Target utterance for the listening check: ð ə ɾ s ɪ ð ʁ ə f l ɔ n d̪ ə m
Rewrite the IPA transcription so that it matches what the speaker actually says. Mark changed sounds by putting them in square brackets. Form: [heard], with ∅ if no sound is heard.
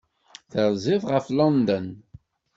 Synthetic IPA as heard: [θ] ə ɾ [z] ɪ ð ʁ ə f l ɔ n d̪ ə [n]